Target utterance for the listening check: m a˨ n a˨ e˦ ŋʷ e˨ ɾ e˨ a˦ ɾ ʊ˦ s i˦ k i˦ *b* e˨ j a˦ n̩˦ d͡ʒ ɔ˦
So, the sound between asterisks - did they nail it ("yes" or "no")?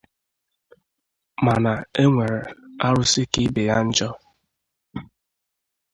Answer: yes